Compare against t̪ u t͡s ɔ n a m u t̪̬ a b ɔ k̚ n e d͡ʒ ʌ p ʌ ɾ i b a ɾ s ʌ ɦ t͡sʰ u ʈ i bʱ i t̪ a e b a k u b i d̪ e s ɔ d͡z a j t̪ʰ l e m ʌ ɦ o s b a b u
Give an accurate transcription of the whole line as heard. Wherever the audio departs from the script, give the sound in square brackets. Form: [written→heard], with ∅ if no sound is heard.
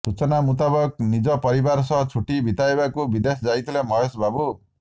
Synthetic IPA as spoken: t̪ u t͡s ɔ n a m u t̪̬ a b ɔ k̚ n [e→i] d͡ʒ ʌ p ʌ ɾ i b a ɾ s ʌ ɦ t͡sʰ u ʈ i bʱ i t̪ a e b a k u b i d̪ e s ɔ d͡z a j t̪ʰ l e m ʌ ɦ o s b a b u